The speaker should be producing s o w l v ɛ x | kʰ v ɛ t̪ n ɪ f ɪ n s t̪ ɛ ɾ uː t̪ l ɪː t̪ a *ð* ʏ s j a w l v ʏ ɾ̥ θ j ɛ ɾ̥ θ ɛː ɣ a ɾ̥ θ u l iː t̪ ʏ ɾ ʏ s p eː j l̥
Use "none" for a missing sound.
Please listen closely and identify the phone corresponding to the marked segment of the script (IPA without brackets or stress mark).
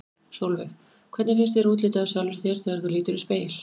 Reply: ð